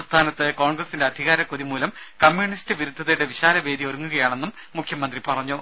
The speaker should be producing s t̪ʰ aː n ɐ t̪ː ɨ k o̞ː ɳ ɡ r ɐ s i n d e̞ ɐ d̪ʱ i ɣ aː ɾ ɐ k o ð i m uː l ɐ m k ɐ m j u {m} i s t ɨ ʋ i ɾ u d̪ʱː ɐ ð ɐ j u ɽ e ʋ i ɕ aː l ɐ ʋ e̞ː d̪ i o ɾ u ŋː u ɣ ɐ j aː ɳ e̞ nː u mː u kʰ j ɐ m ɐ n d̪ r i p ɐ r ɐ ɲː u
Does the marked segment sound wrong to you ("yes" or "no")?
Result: yes